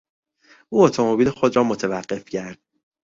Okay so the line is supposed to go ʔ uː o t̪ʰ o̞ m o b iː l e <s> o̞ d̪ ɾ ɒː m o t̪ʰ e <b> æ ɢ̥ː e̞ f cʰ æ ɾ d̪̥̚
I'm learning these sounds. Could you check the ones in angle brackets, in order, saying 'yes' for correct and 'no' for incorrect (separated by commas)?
no, no